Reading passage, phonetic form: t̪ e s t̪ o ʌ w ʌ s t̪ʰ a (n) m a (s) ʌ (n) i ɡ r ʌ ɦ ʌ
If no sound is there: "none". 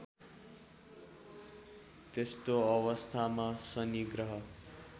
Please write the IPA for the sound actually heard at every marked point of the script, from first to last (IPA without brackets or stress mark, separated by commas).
none, s, n